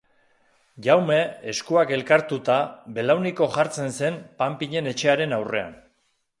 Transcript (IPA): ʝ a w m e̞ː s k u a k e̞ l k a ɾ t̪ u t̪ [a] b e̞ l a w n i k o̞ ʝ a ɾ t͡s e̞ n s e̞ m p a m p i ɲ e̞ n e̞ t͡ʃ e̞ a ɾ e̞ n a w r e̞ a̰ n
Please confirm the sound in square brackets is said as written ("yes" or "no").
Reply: yes